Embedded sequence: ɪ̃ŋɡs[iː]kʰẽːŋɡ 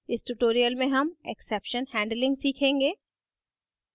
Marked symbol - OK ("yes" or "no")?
yes